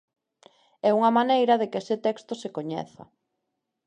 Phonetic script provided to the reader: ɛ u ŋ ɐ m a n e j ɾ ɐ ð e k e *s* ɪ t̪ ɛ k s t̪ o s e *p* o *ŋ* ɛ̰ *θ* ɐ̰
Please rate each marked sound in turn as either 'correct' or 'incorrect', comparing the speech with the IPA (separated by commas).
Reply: correct, incorrect, incorrect, correct